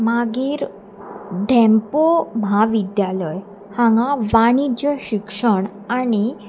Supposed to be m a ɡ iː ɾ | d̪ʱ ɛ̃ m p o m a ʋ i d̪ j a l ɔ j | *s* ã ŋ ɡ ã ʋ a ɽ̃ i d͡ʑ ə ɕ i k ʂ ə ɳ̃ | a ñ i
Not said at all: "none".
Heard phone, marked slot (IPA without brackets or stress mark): h